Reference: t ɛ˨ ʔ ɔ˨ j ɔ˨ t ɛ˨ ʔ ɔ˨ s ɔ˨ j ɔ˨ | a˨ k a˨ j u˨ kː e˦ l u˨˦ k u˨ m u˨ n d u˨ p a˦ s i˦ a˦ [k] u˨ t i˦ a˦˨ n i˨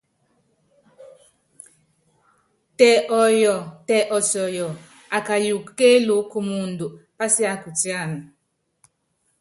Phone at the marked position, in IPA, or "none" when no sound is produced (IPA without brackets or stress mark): k